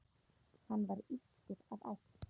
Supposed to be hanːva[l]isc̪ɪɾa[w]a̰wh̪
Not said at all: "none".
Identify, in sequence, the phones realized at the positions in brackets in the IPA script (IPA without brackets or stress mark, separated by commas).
ɾ, v